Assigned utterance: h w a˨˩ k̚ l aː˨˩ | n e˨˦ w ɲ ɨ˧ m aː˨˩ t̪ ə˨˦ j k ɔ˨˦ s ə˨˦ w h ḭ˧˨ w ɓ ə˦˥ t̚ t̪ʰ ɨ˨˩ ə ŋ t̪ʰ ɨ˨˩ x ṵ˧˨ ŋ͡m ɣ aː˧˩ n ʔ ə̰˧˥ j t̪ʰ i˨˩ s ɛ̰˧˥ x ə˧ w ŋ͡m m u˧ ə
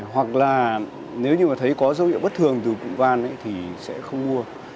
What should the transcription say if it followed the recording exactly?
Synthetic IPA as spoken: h w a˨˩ k̚ l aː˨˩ | n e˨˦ w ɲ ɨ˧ m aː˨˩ t̪ʰ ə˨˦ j k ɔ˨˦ z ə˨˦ w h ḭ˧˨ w ɓ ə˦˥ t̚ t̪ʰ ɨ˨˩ ə ŋ t̪ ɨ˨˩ k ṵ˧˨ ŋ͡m v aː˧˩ n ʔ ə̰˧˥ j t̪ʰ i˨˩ s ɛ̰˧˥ x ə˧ w ŋ͡m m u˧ ə